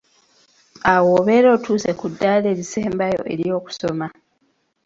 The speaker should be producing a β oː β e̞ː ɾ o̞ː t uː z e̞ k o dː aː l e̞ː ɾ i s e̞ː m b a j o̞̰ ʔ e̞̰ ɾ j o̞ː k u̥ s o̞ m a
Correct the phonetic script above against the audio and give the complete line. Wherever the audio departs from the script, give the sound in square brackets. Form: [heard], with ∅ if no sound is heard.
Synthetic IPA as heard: a [w] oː β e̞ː ɾ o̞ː t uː [s] e̞ k [u] dː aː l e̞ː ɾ i s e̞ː m b a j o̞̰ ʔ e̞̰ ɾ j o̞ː k u̥ s o̞ m a